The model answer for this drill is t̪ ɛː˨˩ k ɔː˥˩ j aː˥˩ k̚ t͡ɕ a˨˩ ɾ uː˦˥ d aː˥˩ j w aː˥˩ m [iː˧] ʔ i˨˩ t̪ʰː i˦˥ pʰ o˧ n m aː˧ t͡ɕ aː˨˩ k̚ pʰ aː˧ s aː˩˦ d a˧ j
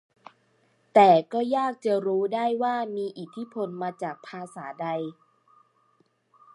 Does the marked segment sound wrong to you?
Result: no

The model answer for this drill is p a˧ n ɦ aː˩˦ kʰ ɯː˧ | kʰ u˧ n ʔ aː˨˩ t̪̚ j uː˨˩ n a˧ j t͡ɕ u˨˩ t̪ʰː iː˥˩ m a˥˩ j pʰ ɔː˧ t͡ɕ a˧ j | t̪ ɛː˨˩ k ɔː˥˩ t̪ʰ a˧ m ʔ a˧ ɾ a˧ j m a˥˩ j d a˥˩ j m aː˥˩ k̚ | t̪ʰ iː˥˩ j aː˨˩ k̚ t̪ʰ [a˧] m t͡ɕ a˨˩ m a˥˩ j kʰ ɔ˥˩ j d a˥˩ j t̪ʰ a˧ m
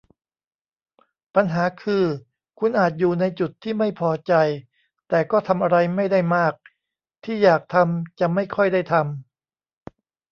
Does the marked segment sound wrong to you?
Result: no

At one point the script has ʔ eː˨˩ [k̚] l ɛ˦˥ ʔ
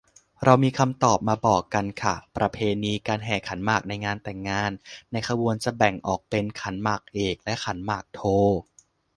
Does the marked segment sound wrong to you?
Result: no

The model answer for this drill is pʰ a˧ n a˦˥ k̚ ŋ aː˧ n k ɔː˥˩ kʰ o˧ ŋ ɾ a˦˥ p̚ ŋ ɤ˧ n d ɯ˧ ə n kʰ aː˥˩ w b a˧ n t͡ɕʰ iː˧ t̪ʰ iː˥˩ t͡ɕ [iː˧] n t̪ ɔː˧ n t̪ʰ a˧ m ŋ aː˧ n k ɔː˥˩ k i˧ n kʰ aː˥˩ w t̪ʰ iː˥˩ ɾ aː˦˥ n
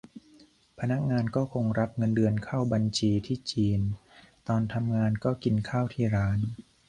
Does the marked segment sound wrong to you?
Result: no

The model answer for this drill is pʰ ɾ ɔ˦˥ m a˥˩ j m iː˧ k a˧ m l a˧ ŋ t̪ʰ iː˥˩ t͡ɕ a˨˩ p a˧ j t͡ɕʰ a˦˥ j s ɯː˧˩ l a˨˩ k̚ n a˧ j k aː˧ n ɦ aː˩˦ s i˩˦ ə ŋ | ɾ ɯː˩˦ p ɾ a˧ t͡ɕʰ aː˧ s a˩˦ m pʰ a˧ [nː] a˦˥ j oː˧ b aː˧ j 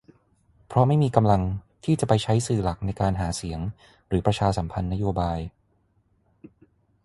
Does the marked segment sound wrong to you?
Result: no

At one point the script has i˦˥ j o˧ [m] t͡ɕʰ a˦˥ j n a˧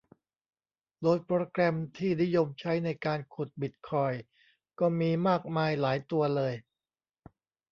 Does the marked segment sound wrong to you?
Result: no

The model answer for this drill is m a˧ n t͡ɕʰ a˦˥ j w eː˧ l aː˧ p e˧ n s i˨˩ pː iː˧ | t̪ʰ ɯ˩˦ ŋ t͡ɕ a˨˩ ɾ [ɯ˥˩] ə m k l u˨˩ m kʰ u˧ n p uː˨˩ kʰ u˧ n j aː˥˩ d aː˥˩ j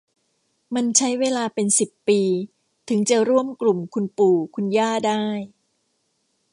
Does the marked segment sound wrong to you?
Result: yes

